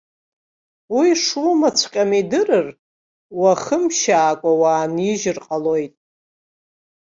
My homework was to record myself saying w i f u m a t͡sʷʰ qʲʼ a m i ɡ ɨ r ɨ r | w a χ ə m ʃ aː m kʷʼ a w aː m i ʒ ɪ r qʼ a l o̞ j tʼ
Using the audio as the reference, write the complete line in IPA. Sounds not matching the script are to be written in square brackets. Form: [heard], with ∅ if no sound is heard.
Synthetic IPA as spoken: w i [ʂ] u m a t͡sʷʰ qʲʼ a m i [d] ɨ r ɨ r | w a χ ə m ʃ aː [∅] kʷʼ a w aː [n] i ʒ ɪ r qʼ a l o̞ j tʼ